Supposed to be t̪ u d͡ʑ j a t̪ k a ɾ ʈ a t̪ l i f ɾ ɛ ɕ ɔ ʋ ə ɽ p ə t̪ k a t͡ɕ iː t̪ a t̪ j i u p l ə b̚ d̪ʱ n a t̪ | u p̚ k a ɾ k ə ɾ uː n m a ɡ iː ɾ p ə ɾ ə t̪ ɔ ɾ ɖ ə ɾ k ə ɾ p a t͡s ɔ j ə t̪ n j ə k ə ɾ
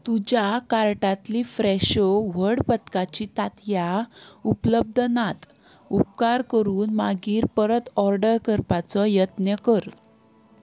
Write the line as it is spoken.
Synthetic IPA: t̪ u d͡ʑ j a k a ɾ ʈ a t̪ l i f ɾ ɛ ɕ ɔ ʋ ə ɽ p ə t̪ k a t͡ɕ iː t̪ a t̪ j a u p l ə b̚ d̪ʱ n a t̪ | u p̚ k a ɾ k ə ɾ uː n m a ɡ iː ɾ p ə ɾ ə t̪ ɔ ɾ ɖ ə ɾ k ə ɾ p a t͡s ɔ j ə t̪ n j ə k ə ɾ